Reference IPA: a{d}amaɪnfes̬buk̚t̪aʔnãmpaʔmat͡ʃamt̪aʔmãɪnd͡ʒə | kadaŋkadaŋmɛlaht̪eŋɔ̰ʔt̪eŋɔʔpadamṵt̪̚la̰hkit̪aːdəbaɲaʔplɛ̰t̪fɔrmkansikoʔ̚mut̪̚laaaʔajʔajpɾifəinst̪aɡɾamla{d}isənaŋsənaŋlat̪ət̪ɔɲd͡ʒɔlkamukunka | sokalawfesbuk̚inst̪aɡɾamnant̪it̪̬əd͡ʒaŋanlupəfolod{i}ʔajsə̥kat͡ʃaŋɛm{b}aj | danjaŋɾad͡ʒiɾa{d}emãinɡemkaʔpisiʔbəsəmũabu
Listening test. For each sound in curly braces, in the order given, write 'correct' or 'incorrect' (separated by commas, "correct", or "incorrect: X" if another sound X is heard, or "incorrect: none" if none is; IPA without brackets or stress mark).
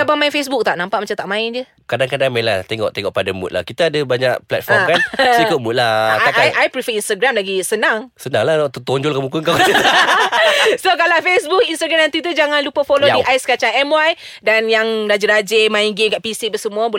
incorrect: b, incorrect: ɡ, correct, incorrect: w, incorrect: d͡ʒ